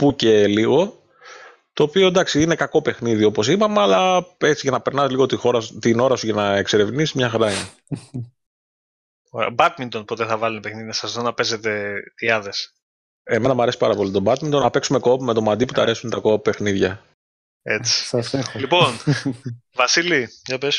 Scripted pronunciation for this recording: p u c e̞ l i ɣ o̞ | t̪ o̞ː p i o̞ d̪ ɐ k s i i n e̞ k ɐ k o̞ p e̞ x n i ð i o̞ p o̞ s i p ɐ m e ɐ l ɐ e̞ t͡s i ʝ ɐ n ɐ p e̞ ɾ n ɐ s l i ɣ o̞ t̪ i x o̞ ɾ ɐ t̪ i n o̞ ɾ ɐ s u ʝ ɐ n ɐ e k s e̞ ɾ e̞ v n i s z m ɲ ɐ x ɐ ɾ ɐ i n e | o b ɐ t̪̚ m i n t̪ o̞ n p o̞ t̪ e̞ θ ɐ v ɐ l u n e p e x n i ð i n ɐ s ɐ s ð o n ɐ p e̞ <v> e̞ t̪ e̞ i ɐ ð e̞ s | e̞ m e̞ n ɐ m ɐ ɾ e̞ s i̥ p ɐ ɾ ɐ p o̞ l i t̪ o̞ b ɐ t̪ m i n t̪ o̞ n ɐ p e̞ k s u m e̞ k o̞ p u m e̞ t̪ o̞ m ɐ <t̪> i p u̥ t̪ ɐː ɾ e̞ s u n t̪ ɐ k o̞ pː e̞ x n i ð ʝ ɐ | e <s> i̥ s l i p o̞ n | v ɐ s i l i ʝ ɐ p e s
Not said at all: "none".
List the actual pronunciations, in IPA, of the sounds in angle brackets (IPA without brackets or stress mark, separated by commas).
z, d̪, t͡s